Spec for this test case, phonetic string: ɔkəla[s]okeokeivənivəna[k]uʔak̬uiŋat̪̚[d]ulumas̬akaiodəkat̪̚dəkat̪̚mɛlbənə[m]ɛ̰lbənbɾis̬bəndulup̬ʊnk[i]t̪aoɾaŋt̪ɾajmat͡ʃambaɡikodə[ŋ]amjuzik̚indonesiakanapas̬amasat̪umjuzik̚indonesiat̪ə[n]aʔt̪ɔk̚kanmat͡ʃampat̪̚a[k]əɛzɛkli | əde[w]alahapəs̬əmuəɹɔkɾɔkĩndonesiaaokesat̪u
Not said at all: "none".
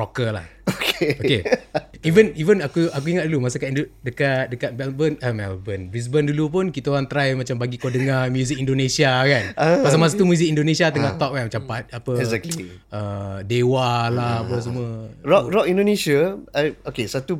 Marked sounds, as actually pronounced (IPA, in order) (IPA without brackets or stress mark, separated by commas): h, k, d, m, i, ŋ, ŋ, p, w